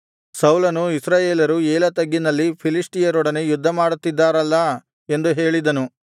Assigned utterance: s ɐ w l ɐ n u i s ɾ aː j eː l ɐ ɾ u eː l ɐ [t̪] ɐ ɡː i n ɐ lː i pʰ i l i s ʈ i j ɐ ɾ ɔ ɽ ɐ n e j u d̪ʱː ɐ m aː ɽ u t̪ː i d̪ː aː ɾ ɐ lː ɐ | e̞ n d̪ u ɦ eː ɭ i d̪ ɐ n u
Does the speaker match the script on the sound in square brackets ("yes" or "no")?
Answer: yes